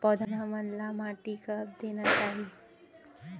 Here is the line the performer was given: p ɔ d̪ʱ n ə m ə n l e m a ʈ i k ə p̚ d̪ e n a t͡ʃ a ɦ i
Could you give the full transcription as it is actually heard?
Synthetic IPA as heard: p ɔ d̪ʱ n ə m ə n l a m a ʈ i k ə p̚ d̪ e n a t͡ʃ a ɦ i

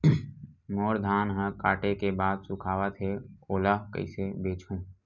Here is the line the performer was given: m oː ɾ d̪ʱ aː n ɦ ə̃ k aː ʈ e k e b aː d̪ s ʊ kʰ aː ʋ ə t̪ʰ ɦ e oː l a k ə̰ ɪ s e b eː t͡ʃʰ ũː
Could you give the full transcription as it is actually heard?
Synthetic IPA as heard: m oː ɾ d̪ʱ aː n ɦ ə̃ k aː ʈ e k e b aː d̪ s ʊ kʰ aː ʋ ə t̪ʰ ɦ e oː l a k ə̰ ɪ s e b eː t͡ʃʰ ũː

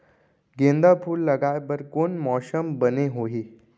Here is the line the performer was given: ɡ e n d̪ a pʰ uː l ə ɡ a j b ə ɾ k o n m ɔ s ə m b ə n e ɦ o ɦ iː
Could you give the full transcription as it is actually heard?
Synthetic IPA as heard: ɡ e n d̪ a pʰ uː lː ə ɡ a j b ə ɾ k o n m ɔ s ə m b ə n e ɦ o ɦ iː

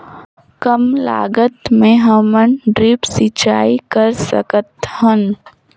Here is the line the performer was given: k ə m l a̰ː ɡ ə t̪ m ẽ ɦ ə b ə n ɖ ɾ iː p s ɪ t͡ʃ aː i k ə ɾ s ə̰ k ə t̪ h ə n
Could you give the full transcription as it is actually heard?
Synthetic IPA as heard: k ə m l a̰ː ɡ ə t̪ m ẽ ɦ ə m ə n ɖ ɾ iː p s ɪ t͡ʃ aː i k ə ɾ s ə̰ k ə t̪ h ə n

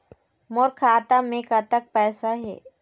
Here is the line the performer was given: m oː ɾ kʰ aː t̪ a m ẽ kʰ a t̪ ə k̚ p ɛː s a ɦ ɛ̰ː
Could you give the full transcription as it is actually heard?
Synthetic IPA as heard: m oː ɾ kʰ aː t̪ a m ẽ k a t̪ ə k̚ p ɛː s a ɦ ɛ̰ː

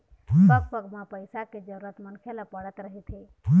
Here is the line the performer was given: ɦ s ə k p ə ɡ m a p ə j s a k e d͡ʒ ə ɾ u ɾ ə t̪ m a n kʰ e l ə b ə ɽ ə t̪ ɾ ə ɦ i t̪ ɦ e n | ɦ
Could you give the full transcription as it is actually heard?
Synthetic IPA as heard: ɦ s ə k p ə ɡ m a p ə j s a k e d͡ʒ ə ɾ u ɾ ə t̪ m ə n kʰ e l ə p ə ɽ ə t̪ ɾ ə ɦ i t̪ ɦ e | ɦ

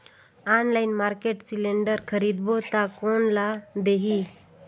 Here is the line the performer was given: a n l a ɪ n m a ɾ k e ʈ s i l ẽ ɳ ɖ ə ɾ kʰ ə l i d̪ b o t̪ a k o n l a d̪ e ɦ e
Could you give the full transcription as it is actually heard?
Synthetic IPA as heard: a n l a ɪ n m a ɾ k e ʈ s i l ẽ ɳ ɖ ə ɾ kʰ ə ɾ i d̪ b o t̪ a k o n l a d̪ e ɦ i

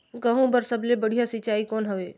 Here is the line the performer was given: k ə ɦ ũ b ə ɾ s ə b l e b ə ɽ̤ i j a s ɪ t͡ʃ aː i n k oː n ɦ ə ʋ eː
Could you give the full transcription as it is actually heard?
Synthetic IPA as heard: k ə ɦ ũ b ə ɾ s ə b l e b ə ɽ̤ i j a s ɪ t͡ʃ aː i k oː n ɦ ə ʋ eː

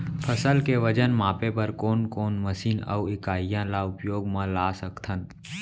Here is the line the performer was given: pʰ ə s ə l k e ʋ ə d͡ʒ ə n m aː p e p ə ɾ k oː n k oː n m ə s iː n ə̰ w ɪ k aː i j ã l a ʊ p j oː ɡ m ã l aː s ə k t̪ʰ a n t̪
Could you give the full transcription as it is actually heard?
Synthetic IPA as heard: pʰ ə s ə l k e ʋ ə d͡ʒ ə n m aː p e p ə ɾ k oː n k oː n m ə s iː n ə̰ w ɪ k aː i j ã l a ʊ p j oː ɡ m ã l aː s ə k t̪ʰ ə n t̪

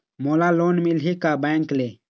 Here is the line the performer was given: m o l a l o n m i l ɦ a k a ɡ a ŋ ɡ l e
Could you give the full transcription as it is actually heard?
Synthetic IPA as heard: m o l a l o n m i l ɦ i k a b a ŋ k l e

